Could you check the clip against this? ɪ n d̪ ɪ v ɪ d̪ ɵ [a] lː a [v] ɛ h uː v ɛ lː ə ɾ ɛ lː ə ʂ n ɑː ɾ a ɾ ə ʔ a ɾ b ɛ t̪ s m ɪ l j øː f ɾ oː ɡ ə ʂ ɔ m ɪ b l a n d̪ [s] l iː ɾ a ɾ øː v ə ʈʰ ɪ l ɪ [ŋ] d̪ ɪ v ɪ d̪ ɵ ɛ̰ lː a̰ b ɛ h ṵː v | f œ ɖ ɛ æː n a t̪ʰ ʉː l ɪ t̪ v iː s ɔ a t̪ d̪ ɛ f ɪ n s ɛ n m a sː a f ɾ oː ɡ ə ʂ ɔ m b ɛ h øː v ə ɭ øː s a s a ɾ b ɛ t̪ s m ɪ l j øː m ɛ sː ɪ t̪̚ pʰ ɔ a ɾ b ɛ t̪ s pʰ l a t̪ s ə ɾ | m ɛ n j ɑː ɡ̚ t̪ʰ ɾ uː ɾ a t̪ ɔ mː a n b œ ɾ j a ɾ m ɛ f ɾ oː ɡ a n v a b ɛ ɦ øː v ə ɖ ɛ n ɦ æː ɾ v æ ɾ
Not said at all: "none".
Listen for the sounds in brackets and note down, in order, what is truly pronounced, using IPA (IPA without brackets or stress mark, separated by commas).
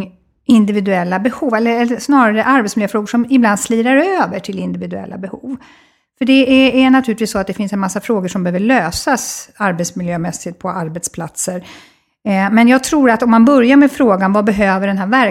ɛ, b, s, n